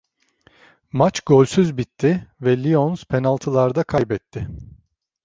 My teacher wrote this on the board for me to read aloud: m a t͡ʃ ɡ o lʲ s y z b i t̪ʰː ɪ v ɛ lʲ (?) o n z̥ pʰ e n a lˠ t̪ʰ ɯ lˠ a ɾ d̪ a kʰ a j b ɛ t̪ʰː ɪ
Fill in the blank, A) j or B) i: B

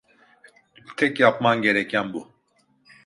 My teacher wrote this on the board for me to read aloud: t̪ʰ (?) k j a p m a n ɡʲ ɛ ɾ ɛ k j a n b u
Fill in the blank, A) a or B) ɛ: B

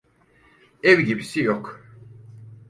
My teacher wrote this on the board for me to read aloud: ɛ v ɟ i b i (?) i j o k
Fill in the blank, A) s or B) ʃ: A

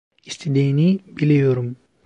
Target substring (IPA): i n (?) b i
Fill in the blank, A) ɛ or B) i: B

